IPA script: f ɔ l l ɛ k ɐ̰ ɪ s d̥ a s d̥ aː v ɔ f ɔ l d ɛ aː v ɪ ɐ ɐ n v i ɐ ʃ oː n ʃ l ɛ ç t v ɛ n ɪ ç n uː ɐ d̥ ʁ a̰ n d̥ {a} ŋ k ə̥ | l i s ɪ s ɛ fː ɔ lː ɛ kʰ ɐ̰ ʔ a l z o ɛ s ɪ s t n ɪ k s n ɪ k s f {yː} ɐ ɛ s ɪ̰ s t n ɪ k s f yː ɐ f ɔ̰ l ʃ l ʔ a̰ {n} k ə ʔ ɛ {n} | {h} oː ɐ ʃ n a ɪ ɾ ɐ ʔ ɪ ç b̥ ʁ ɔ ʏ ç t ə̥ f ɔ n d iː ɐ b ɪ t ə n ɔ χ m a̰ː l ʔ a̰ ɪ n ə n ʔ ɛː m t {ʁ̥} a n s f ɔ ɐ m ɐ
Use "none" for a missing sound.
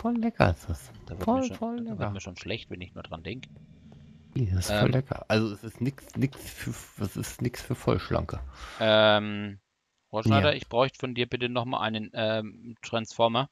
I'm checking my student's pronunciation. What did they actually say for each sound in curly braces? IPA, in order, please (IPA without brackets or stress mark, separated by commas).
ɛ, yː, ŋ, m, f, ʁ̥